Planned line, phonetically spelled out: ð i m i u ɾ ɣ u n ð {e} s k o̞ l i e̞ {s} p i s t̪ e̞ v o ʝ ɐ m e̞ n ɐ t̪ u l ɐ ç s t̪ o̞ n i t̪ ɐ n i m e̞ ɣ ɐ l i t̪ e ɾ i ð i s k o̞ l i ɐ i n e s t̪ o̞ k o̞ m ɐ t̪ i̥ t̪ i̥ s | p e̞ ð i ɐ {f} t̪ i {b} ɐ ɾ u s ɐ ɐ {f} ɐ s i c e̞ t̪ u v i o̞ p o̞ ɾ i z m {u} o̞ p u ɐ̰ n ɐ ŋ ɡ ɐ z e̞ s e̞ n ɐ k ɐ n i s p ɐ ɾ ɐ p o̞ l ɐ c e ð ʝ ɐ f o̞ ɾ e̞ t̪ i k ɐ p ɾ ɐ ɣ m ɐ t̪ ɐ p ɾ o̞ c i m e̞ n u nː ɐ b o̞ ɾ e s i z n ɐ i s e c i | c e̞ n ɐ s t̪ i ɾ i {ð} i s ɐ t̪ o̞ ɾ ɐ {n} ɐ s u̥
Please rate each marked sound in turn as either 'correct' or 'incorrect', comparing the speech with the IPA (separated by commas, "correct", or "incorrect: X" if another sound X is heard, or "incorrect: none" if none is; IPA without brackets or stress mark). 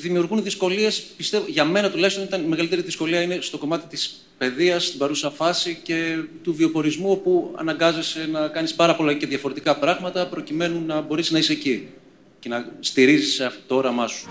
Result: incorrect: i, correct, incorrect: s, correct, correct, correct, incorrect: z, incorrect: m